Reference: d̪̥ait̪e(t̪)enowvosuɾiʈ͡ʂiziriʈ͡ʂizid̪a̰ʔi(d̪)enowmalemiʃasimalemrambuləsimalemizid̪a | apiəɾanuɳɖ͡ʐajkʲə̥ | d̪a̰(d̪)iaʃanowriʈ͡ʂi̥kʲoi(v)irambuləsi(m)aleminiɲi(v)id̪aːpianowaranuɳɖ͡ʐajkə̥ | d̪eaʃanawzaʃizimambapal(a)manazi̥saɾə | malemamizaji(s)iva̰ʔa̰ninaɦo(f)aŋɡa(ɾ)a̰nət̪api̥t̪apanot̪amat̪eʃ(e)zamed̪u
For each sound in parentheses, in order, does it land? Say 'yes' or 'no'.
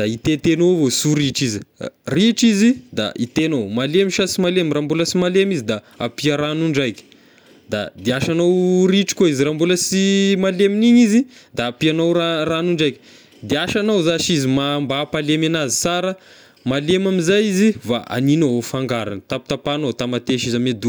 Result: yes, no, yes, no, yes, no, no, no, yes, yes, no

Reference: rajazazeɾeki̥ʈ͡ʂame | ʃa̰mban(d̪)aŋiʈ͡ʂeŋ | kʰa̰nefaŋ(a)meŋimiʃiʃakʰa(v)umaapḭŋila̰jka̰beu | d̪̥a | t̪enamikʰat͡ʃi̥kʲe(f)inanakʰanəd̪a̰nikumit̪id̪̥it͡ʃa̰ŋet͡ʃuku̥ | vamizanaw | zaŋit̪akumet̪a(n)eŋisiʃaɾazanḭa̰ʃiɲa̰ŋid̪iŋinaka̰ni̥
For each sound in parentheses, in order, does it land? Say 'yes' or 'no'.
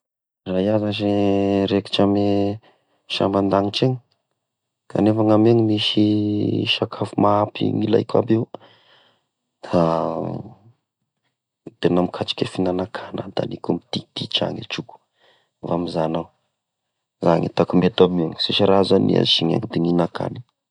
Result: yes, yes, no, yes, no

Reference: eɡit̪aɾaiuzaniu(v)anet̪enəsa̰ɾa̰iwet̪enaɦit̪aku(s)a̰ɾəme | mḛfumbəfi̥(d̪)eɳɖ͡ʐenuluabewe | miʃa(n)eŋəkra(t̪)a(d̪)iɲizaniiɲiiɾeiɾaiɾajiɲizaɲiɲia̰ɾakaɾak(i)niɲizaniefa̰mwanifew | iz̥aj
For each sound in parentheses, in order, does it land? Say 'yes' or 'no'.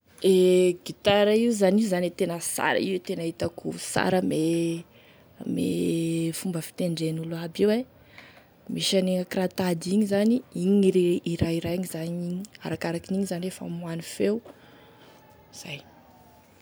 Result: no, yes, no, yes, yes, yes, yes

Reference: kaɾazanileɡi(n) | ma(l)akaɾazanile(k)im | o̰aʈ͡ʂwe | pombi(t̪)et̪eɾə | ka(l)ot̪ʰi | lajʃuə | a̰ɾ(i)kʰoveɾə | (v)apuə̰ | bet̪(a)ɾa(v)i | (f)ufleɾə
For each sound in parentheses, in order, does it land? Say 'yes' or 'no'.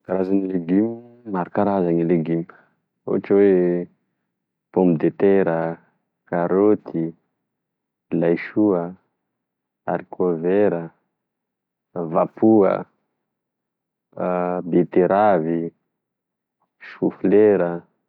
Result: no, no, no, no, no, yes, yes, no, yes, no

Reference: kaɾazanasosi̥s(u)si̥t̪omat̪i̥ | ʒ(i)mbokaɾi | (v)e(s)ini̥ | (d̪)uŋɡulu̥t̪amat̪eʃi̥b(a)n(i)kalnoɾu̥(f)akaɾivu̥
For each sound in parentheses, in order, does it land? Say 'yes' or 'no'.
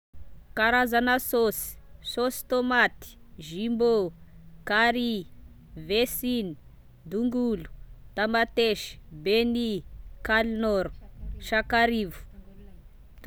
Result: no, yes, yes, yes, yes, no, yes, no

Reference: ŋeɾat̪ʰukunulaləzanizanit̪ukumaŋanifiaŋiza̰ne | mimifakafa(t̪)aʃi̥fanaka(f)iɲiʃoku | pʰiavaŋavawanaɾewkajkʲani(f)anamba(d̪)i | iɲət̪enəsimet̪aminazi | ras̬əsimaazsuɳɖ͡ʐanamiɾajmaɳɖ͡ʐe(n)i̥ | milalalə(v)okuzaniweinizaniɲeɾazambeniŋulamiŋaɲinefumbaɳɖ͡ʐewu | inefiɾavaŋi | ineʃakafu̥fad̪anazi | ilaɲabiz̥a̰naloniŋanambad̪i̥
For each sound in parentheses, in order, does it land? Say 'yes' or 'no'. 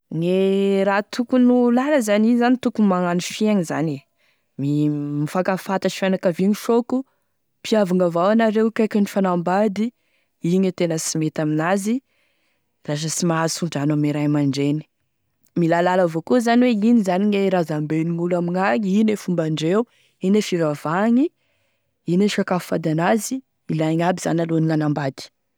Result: yes, no, yes, yes, yes, yes

